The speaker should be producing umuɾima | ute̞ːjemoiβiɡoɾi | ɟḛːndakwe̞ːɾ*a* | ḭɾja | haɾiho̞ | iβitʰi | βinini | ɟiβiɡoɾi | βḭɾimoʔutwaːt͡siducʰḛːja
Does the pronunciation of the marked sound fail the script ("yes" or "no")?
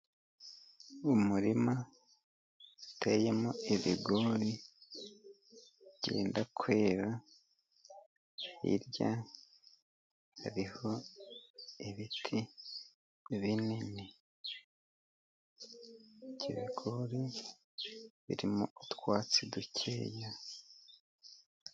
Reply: no